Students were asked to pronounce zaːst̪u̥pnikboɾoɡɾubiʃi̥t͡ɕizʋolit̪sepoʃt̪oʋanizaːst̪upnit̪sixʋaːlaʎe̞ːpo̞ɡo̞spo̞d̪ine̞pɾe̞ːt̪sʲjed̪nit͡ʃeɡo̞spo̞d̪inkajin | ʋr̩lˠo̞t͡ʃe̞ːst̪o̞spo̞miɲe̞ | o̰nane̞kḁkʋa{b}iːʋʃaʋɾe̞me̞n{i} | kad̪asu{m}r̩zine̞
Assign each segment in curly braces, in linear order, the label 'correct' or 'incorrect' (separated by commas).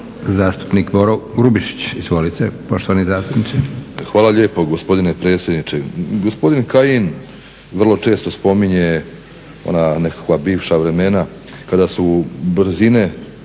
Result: correct, incorrect, incorrect